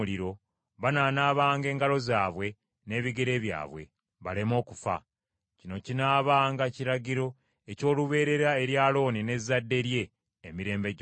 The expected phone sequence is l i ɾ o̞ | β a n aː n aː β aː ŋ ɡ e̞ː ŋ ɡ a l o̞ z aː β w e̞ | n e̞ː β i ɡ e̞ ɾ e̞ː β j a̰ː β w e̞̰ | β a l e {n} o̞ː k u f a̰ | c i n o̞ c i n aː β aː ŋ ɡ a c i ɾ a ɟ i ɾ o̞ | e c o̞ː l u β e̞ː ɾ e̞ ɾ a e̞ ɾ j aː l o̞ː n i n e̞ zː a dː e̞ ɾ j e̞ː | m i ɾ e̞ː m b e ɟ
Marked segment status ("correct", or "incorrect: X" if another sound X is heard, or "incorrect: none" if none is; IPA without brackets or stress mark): incorrect: m